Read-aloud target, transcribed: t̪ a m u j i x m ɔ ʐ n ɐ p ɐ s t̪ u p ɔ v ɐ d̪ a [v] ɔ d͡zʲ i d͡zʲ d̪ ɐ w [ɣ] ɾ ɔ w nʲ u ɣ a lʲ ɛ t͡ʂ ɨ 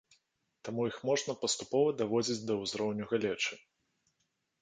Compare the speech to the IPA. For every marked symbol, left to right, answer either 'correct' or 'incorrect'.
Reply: correct, incorrect

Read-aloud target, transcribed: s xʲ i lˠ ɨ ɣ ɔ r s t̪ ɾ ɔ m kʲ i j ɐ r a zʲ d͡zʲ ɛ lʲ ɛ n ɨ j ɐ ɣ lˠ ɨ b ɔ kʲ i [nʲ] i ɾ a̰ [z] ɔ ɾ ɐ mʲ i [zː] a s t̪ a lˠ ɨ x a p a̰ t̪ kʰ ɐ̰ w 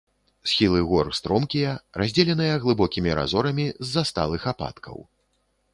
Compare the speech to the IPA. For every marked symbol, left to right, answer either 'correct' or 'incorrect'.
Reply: incorrect, correct, correct

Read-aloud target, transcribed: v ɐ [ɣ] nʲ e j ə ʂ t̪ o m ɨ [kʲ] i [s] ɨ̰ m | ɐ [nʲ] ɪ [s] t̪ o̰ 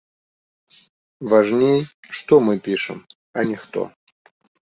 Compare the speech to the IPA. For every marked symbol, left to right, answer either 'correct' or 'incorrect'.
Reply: incorrect, incorrect, incorrect, correct, incorrect

